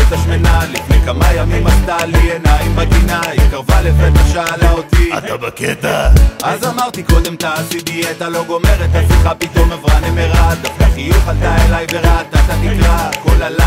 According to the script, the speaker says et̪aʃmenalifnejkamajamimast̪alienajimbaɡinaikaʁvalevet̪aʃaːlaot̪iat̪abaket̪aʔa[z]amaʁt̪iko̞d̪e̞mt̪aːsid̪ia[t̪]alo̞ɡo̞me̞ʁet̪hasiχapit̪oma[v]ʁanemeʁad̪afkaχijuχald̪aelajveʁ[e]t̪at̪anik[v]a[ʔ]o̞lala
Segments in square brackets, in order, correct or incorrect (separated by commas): correct, correct, correct, incorrect, incorrect, incorrect